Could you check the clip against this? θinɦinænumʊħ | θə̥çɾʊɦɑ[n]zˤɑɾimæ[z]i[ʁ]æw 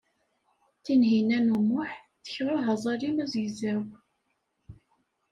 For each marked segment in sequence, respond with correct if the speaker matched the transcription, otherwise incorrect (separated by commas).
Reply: incorrect, correct, incorrect